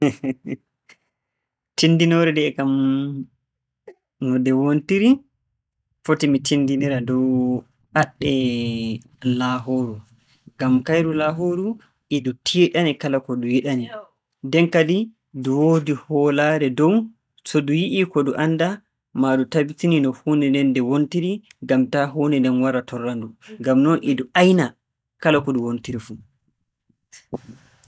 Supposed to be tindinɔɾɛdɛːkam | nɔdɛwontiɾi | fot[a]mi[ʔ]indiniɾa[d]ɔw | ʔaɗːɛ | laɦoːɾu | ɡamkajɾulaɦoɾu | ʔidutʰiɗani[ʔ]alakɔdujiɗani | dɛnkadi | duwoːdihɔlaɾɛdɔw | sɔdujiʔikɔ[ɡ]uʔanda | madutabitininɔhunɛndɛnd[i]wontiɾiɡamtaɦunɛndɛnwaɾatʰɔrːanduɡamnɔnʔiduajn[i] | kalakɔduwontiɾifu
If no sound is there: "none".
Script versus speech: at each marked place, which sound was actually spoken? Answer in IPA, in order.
i, t, d, k, d, ɛ, a

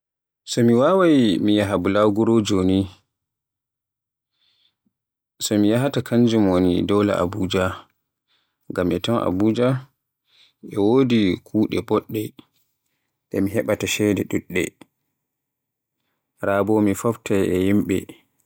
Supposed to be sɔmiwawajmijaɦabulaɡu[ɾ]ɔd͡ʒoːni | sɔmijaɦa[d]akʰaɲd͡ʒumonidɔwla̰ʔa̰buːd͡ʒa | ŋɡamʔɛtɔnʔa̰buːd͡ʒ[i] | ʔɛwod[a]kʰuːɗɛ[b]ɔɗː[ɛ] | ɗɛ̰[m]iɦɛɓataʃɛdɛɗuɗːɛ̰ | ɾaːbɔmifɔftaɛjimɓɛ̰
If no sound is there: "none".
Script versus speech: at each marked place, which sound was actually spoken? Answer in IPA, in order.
ɾ, t, a, i, b, ɛ, m

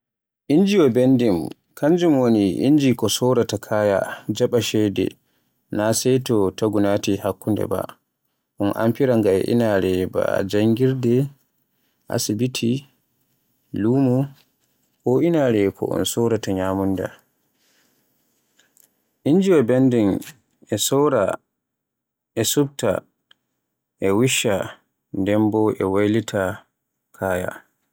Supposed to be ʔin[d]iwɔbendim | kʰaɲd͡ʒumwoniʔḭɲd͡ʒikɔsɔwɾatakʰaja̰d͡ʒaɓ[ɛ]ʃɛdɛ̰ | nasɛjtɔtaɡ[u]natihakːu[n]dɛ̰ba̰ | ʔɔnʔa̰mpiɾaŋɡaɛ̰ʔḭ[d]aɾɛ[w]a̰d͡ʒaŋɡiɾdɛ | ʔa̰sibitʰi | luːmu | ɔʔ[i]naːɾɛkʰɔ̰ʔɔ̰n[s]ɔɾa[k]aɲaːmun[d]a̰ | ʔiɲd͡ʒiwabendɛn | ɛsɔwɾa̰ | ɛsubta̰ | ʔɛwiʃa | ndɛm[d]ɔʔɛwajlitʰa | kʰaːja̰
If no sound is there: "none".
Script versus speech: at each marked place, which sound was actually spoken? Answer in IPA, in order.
d͡ʒ, a, u, n, n, b, i, s, t, d, b

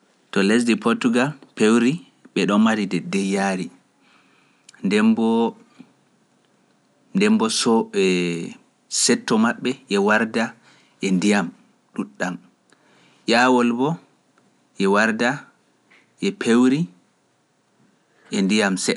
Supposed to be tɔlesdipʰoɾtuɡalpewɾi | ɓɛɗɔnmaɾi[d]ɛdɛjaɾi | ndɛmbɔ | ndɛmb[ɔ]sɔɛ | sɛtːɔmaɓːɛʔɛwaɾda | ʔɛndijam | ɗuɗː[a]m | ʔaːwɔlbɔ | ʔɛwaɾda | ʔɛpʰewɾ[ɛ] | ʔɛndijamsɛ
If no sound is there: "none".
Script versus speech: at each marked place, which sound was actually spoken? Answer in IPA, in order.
d, ɔ, a, i

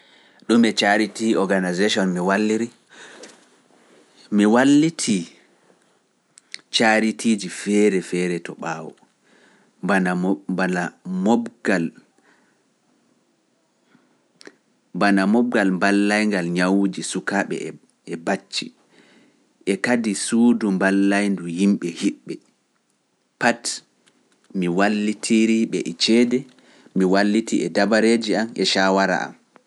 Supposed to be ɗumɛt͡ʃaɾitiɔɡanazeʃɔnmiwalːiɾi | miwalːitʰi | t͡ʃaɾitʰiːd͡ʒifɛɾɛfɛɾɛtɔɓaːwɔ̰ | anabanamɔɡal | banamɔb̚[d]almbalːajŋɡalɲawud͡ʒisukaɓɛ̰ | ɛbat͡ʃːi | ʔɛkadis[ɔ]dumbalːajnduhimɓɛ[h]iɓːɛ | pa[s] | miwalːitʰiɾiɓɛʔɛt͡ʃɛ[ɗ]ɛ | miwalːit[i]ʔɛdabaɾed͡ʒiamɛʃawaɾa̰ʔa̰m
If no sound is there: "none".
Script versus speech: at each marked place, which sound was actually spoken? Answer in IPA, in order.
ɡ, u, h, t, d, i

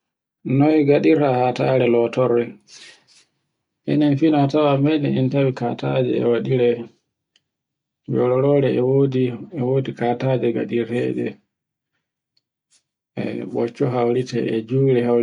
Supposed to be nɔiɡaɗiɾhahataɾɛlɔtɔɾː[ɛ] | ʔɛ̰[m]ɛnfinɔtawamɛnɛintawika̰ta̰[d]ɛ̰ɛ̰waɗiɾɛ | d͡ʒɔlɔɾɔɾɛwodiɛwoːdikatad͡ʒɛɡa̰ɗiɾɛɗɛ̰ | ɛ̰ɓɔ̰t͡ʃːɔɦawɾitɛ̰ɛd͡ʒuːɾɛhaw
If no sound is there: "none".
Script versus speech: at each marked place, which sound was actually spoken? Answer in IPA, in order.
ɛ, n, d͡ʒ

